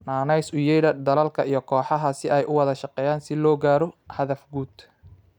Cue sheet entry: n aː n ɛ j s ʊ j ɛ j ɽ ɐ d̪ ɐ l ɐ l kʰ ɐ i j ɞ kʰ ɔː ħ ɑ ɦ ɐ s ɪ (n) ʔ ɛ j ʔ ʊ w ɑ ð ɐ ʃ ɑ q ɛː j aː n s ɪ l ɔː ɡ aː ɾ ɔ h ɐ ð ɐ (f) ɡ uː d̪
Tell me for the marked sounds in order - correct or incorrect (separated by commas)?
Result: incorrect, correct